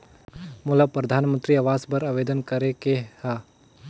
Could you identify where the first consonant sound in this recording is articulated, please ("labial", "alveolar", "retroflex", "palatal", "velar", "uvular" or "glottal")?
labial